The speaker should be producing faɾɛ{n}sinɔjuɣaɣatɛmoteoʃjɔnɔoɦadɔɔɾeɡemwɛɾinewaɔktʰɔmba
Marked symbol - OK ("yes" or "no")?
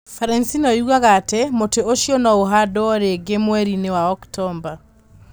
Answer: yes